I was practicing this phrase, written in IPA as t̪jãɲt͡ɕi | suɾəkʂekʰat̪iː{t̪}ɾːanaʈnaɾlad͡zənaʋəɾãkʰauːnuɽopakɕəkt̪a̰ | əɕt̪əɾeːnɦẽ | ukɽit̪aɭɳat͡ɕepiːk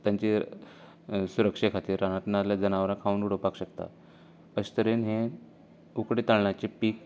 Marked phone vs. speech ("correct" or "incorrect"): incorrect